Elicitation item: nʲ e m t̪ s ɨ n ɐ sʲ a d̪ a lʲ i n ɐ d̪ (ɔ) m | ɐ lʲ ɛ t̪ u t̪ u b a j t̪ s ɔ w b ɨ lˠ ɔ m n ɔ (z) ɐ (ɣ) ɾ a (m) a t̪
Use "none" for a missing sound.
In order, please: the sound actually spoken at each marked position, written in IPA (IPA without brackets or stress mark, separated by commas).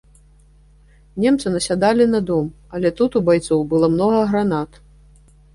ɔ, ɣ, ɣ, n